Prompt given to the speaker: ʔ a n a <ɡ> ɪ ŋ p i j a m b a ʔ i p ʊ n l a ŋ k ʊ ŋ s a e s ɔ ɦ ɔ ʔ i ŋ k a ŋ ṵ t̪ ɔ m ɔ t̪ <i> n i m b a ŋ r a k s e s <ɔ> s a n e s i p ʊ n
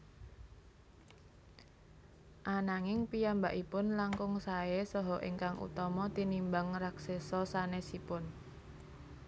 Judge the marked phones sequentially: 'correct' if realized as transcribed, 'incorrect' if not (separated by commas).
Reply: incorrect, correct, correct